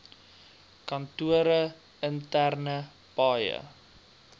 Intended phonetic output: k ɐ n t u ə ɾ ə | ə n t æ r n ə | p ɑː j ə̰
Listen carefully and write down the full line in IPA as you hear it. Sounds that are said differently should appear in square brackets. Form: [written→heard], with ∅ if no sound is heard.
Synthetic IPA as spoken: k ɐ n t u ə ɾ ə | ə n t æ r n ə | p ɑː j ə̰